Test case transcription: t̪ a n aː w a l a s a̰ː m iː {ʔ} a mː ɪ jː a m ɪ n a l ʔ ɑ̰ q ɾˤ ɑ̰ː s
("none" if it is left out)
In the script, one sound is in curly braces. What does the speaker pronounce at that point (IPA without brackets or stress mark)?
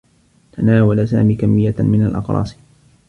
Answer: k